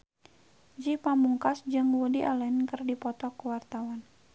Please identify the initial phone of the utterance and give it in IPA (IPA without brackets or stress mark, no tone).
d͡ʒ